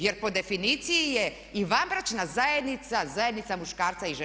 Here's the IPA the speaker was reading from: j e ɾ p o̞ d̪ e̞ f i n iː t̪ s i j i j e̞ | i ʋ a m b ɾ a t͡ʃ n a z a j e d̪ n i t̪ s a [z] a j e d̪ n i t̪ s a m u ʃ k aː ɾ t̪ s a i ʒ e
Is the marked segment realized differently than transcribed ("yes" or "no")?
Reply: no